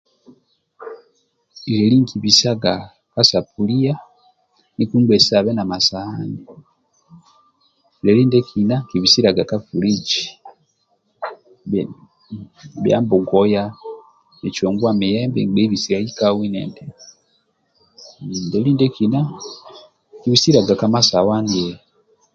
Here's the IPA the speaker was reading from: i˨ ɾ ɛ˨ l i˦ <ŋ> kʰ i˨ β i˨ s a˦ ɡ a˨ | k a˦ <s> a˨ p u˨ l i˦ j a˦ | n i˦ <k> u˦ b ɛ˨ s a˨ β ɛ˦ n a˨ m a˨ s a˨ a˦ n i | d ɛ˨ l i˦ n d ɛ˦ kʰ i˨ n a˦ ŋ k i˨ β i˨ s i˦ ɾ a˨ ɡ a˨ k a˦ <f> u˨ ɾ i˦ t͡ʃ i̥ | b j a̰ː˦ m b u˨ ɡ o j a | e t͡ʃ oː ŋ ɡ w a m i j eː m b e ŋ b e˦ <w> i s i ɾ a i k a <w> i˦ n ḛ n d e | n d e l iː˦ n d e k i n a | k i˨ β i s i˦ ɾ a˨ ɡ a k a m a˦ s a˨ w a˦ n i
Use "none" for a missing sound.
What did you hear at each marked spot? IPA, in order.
ŋ, s, k, f, β, w

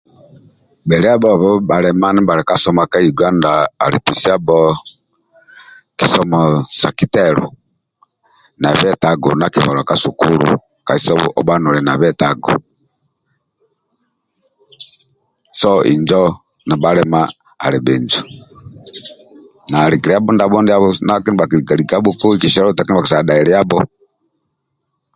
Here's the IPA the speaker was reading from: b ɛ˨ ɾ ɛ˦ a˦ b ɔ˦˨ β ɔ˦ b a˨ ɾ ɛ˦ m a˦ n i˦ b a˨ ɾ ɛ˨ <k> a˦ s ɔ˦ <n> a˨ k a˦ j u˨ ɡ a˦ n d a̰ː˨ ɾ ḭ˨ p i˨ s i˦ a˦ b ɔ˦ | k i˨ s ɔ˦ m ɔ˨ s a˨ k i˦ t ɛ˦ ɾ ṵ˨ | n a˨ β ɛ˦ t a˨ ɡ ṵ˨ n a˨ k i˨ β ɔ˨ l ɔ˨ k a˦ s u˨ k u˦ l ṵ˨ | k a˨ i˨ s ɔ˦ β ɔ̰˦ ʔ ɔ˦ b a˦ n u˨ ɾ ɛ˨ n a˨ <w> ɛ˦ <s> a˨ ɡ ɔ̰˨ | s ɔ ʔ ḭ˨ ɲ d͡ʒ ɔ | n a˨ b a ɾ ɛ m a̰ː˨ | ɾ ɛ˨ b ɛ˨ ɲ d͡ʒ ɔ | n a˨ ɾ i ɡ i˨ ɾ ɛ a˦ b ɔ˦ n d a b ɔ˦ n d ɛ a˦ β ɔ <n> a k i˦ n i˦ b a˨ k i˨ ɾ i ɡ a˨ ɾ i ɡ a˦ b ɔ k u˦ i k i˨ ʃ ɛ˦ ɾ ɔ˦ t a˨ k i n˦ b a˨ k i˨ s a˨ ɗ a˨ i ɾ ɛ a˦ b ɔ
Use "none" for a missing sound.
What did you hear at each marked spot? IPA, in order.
k, m, β, t, n

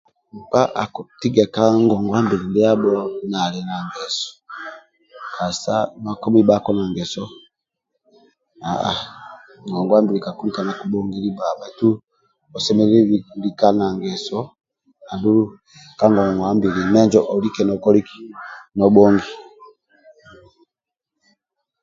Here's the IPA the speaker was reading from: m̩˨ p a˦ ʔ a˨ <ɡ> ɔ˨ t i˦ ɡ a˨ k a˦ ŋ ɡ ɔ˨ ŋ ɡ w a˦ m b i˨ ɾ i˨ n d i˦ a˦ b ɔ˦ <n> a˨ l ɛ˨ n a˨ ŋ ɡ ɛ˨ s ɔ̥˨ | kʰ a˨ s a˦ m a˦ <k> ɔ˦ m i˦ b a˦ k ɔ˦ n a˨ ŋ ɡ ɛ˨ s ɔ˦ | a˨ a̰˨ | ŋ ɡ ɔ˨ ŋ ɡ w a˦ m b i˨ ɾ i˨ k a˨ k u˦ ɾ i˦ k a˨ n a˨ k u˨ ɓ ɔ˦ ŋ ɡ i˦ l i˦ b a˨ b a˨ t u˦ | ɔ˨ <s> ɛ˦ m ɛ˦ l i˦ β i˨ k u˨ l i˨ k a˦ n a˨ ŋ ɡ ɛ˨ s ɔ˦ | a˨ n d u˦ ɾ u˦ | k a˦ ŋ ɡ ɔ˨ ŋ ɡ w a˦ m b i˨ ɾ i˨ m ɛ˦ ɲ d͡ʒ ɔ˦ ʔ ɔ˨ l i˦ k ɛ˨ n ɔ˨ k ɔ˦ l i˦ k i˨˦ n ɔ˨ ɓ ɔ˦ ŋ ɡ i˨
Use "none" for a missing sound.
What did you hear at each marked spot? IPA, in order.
k, n, k, s

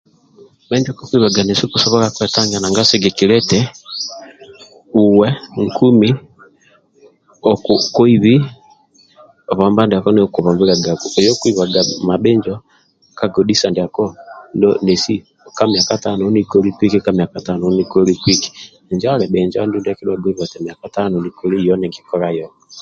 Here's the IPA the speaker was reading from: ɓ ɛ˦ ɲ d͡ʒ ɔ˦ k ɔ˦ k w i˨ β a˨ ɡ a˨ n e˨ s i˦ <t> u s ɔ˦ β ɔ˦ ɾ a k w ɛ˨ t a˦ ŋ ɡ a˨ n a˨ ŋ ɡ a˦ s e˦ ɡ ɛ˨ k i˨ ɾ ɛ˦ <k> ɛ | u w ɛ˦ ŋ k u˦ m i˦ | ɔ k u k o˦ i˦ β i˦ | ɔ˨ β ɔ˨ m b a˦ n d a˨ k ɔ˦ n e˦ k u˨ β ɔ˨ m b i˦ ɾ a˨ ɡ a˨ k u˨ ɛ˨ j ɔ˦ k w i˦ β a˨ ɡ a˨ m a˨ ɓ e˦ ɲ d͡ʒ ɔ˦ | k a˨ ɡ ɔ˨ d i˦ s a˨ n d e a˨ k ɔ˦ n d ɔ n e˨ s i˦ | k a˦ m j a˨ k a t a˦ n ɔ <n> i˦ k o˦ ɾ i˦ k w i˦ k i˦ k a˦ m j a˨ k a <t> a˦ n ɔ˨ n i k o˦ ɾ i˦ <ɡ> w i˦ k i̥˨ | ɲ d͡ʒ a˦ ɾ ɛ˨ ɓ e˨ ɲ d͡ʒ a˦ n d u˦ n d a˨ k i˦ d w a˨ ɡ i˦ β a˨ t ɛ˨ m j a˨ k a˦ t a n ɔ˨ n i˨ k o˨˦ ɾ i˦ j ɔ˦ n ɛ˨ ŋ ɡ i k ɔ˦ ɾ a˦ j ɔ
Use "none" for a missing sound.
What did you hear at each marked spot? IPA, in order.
k, t, n, t, k

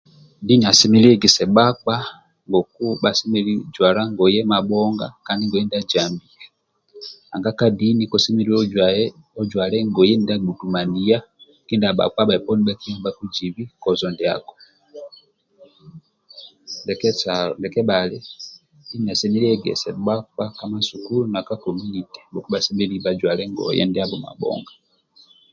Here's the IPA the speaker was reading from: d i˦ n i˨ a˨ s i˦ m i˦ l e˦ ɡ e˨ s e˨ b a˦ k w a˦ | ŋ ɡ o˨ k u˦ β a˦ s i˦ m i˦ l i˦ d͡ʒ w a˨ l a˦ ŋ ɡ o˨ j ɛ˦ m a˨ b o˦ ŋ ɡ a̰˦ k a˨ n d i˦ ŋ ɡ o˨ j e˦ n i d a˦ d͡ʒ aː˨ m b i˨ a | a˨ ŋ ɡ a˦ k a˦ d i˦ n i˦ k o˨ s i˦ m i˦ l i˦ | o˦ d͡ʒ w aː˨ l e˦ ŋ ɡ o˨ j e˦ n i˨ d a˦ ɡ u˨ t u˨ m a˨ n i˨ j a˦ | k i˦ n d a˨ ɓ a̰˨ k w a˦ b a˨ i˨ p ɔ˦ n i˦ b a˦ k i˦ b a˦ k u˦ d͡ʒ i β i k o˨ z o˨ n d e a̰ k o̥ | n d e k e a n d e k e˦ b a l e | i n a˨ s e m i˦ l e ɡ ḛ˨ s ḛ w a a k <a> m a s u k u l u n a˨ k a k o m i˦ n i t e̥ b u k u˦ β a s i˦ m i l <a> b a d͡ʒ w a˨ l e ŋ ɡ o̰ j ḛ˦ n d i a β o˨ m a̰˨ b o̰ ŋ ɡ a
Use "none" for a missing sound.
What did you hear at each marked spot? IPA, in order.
a, i

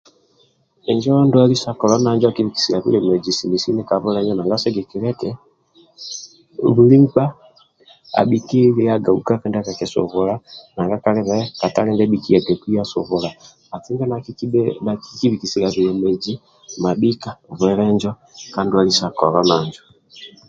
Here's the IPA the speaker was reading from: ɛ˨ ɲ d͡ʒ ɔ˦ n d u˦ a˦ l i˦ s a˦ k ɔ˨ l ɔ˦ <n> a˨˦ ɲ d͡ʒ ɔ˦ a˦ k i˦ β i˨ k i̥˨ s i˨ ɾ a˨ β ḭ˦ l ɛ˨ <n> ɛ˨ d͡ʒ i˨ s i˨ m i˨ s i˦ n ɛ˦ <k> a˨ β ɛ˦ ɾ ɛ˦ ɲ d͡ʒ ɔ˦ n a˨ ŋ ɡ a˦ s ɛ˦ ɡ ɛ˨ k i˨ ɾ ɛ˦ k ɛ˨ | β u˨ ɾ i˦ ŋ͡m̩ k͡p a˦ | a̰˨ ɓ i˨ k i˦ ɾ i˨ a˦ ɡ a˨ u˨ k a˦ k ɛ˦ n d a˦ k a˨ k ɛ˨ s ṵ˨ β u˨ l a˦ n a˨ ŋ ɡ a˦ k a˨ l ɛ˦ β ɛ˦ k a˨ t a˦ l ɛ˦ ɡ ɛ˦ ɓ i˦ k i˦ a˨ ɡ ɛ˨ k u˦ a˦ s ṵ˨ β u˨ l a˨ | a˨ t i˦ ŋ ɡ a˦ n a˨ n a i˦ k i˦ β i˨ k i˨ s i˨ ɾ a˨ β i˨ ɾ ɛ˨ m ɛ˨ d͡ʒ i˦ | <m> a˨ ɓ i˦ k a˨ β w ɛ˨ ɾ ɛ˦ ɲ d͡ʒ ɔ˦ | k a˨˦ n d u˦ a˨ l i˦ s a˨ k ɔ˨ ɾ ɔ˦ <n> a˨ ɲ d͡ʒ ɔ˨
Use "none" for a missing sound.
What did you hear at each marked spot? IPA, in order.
n, m, k, m, n

